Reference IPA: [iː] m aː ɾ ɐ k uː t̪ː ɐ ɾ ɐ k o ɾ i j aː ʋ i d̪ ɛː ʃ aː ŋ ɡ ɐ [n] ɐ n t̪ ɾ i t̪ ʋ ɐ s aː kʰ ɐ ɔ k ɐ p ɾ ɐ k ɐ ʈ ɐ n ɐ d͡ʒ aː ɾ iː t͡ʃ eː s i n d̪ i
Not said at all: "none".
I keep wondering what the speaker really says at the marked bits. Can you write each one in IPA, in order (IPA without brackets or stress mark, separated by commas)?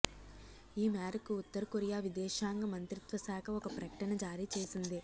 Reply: iː, m